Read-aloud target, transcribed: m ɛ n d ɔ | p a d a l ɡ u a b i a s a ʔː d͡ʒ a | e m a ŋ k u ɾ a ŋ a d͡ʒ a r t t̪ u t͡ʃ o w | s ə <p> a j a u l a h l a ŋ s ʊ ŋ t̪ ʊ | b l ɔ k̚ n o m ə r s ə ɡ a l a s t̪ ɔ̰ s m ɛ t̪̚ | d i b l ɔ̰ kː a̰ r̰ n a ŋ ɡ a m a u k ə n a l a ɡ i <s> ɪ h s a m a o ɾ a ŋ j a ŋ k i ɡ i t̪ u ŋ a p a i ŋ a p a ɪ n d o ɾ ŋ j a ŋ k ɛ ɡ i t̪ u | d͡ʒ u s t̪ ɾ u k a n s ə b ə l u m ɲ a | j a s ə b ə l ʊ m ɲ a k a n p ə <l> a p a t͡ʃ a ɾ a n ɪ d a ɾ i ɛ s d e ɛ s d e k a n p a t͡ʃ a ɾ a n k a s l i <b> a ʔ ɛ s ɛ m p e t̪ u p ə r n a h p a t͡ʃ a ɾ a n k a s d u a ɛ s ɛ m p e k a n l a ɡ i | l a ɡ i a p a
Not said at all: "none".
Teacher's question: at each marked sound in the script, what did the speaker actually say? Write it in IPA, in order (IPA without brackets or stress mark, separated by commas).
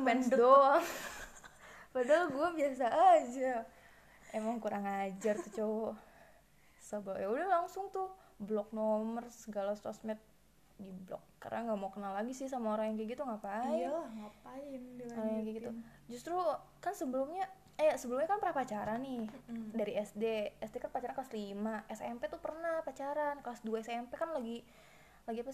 b, s, ɾ, m